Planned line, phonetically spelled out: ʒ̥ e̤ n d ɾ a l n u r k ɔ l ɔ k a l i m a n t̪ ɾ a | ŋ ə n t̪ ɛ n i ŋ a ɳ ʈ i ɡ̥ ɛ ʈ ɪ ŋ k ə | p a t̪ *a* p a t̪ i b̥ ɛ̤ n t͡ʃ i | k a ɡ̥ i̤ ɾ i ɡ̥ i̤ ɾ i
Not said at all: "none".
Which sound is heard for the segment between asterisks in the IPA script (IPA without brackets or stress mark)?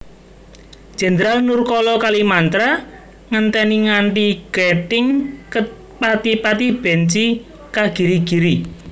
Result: i